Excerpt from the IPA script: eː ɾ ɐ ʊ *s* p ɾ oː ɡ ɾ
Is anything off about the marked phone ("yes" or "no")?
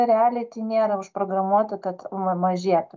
yes